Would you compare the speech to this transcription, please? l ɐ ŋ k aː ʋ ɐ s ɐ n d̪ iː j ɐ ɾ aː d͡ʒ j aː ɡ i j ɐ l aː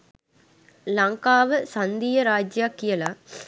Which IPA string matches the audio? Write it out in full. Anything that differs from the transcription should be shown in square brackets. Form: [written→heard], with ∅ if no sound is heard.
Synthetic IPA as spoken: l ɐ ŋ k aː ʋ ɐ s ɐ n d̪ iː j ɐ ɾ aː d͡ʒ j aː [ɡ→k] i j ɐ l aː